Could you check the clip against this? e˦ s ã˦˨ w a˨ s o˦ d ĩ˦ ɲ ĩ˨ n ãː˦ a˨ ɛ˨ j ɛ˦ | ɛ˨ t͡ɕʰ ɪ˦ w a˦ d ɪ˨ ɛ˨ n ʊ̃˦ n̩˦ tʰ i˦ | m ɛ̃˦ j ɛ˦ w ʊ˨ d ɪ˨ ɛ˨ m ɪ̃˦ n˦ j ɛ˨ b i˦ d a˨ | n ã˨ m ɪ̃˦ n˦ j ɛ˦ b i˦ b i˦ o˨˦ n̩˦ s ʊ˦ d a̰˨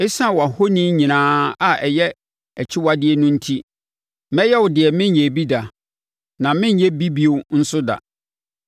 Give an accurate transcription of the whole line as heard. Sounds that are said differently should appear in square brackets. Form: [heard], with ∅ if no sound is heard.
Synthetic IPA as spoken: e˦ s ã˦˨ w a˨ [h] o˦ [n] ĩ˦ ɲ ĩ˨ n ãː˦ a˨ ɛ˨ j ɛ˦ | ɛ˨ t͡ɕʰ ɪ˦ w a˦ d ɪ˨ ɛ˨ n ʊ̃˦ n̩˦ tʰ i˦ | m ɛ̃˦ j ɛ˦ w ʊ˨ d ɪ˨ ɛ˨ m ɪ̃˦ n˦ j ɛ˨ b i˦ d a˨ | n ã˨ m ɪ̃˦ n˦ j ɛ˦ b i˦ b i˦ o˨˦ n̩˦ s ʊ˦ d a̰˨

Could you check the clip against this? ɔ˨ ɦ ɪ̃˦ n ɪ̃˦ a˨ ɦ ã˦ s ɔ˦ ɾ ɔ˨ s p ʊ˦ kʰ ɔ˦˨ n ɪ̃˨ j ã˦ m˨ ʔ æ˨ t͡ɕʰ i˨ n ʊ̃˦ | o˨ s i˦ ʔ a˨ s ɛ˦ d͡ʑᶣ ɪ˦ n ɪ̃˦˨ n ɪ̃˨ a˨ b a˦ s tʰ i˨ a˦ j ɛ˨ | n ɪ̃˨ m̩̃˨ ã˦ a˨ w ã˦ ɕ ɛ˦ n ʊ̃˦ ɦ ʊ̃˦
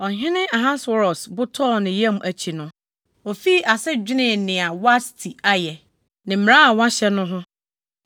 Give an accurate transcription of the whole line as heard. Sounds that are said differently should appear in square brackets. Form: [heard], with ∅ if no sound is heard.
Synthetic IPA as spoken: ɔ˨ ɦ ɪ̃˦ n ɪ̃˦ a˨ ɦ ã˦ s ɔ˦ ɾ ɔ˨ s [b] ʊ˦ [tʰ] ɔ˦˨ n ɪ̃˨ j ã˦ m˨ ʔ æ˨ t͡ɕʰ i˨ n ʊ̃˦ | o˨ [f] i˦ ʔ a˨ s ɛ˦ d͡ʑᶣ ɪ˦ n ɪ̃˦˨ n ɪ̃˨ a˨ [w] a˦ s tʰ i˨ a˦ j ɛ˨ | n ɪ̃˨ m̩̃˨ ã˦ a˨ w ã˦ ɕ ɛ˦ n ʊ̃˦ ɦ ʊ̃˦

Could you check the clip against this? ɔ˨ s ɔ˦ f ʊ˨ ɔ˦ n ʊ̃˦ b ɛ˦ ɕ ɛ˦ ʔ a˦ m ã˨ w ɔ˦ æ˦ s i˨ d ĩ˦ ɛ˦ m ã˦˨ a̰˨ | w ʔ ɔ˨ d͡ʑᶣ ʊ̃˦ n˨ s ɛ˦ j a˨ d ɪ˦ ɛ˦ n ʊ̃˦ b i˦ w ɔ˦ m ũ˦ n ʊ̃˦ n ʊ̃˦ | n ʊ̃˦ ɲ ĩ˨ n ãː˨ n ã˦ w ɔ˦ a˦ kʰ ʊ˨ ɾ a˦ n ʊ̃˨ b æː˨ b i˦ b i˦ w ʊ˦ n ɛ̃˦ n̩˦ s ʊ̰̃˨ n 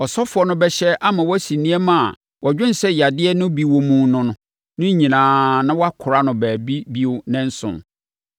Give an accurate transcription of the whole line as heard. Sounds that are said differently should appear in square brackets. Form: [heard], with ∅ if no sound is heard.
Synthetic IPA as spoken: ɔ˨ s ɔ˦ f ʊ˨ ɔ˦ n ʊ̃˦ b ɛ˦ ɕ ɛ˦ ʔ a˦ m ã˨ w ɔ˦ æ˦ s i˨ [n] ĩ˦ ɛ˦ m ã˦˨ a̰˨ | w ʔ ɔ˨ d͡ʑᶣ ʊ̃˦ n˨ s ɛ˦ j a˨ d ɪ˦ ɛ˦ n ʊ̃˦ b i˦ w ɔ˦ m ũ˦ n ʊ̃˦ n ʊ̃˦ | n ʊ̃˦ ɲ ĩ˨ n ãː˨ n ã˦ w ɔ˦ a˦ kʰ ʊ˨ ɾ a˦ n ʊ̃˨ b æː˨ b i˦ b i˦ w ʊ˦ n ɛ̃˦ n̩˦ s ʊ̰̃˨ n

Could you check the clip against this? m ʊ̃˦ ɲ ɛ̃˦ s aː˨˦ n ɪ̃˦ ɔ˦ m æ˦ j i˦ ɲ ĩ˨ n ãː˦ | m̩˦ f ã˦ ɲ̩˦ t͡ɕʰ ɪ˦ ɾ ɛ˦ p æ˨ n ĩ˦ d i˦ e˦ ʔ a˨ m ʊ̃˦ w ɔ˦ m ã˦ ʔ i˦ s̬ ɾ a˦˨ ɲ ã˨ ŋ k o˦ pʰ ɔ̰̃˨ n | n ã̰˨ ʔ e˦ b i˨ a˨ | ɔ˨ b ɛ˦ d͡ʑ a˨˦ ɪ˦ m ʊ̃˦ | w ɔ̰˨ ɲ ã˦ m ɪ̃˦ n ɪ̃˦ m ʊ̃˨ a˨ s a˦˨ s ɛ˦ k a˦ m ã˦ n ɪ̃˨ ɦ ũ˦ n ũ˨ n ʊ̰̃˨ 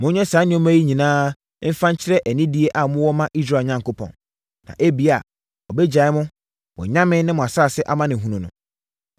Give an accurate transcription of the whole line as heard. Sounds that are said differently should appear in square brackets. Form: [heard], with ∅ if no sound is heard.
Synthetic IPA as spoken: m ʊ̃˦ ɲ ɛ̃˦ s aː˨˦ n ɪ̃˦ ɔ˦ m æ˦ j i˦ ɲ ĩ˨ n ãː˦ | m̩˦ f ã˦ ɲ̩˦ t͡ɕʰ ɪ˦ ɾ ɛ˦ [ʔ] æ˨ n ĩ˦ d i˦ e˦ ʔ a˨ m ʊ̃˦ w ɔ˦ m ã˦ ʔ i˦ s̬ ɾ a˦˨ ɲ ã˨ ŋ k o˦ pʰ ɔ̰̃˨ n | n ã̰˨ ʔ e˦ b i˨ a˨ | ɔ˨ b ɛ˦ d͡ʑ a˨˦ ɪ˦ m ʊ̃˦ | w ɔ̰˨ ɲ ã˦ m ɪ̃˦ n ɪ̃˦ m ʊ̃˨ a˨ s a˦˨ s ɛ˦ [ʔ] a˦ m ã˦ n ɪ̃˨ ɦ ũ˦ n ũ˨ n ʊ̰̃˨

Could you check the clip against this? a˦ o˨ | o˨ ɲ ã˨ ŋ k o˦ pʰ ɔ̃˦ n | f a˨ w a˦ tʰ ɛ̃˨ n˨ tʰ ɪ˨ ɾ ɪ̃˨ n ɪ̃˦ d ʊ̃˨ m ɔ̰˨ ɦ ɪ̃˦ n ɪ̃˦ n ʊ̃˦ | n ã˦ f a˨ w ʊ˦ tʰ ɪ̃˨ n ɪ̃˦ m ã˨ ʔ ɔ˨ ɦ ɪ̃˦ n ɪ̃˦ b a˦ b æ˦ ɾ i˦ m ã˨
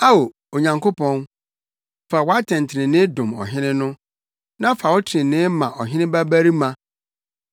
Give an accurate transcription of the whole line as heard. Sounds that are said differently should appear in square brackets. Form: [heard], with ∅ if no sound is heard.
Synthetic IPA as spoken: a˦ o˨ | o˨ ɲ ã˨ ŋ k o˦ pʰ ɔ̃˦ n | f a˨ w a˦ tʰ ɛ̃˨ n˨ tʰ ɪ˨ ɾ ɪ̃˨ n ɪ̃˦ d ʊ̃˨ m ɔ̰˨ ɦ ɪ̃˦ n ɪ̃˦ n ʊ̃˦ | n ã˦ f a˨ w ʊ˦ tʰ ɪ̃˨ n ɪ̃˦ m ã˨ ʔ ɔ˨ ɦ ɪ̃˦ n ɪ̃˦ b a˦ b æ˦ ɾ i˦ m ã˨

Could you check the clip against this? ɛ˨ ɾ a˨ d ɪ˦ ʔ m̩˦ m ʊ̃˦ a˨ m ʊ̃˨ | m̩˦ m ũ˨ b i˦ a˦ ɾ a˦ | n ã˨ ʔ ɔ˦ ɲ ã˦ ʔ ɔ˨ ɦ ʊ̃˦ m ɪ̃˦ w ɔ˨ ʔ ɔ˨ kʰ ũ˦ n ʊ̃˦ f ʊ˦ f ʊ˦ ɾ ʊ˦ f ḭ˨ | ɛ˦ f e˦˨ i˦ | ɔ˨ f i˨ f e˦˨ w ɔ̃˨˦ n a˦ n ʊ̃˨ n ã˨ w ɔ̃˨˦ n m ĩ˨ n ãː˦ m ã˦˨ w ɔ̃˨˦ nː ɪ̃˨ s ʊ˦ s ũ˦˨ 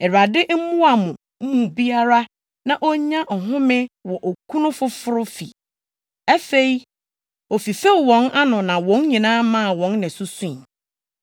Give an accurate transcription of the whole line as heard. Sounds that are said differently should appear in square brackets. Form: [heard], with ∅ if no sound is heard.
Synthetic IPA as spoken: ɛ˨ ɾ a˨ d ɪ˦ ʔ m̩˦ m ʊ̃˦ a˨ m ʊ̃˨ | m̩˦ m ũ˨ b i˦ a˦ ɾ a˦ | n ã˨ ʔ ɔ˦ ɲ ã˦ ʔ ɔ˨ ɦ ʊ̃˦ m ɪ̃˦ w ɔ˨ ʔ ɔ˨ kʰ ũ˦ n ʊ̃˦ f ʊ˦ f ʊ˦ ɾ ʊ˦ f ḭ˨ | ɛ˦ f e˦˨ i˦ | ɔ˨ f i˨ f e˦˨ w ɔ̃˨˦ n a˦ n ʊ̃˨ n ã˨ w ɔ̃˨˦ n [ɲ] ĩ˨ n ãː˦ m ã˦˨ w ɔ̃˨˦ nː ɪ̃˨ s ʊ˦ s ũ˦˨

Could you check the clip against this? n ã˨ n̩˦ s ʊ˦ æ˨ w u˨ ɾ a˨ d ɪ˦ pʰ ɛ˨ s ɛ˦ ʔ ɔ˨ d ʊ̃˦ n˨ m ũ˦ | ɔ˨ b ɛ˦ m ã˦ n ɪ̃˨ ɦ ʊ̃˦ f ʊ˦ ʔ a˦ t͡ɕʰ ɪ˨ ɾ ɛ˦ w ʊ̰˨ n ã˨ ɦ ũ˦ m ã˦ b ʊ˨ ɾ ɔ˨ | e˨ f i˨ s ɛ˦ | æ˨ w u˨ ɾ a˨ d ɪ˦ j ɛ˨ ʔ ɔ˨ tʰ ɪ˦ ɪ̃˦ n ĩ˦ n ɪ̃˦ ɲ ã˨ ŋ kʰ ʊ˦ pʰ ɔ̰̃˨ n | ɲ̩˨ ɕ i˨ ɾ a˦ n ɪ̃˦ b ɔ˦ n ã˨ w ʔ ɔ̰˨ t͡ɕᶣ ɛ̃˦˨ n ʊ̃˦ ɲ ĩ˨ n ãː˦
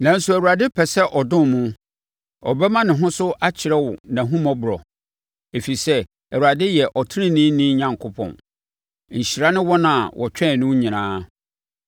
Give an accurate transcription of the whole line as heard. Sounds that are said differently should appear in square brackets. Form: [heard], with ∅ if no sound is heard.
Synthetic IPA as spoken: n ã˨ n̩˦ s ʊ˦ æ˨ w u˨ ɾ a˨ d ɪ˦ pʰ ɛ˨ s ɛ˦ ʔ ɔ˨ d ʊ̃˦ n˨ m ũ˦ | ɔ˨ b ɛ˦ m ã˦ n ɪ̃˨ ɦ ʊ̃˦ [s] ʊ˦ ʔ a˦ t͡ɕʰ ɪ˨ ɾ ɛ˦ w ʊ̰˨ n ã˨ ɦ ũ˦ m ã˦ b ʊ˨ ɾ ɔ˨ | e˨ f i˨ s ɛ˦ | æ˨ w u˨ ɾ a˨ d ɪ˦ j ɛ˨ ʔ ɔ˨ tʰ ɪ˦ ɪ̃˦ n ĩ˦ n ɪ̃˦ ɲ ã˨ ŋ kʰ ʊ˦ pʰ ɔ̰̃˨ n | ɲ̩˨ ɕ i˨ ɾ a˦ n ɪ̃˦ [w] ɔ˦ n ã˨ w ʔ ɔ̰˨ t͡ɕᶣ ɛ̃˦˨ n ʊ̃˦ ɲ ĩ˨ n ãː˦

